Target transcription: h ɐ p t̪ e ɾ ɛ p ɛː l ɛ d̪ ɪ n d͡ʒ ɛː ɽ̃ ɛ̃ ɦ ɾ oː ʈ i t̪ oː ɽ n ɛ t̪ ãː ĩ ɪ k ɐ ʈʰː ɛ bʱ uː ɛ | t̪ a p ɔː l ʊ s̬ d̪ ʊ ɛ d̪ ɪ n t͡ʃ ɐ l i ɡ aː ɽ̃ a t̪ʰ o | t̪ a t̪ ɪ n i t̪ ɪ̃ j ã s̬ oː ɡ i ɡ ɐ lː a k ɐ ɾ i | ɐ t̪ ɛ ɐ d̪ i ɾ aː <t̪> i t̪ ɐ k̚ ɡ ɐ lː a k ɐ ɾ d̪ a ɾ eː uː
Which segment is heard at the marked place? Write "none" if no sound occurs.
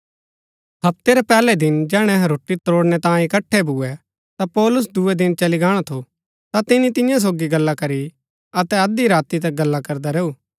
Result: t̪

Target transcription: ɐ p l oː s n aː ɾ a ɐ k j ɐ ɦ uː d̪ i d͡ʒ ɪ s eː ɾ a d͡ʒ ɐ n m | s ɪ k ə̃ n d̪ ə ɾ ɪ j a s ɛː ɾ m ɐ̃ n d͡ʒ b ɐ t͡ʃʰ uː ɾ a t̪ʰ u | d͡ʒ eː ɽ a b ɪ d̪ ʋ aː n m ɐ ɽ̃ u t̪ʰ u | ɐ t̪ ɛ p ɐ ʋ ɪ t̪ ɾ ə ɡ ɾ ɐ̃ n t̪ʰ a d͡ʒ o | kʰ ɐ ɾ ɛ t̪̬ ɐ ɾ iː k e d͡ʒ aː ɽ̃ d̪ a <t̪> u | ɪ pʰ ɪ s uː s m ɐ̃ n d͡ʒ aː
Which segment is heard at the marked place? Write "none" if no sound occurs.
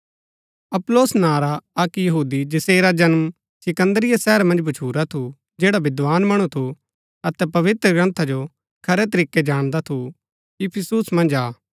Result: t̪ʰ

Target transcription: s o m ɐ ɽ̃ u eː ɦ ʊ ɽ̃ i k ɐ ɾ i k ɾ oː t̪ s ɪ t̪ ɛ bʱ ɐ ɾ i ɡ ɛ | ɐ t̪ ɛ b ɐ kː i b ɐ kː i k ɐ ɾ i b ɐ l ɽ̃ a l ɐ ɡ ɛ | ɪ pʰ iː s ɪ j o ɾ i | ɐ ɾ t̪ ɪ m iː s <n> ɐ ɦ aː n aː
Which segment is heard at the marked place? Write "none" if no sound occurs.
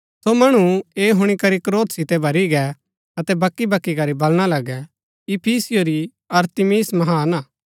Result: m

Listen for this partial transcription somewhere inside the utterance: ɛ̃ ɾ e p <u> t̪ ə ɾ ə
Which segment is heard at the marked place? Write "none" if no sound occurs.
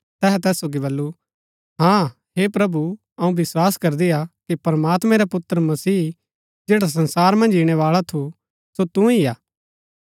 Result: ʊ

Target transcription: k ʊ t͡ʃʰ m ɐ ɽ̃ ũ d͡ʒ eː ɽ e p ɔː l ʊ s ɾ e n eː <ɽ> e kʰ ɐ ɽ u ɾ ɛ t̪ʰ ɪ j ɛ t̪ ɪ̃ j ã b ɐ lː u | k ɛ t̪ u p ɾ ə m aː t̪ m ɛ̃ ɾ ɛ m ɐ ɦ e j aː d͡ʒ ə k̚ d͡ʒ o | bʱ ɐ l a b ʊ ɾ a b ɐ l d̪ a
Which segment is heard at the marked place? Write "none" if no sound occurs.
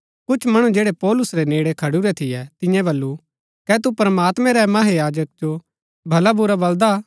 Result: ɽ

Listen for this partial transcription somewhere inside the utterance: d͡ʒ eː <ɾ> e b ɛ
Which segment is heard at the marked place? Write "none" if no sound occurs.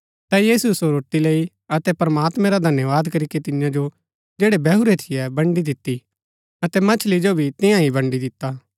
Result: ɽ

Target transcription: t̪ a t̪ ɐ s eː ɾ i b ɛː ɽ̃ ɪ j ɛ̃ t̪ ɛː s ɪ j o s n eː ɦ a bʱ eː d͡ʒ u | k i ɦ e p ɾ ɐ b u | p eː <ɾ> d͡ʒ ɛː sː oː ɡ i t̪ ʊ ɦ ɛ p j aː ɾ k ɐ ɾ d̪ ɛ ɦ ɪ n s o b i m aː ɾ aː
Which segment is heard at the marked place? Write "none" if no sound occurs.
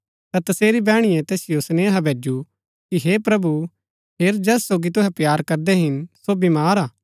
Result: ɾ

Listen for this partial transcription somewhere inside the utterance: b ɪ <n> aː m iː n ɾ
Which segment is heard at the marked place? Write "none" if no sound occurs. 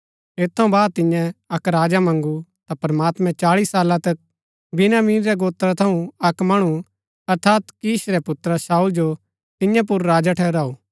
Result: n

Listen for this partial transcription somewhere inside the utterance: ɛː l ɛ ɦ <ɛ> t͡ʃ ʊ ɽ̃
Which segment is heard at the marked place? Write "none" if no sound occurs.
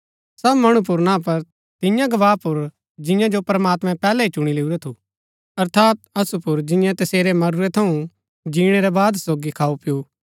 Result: i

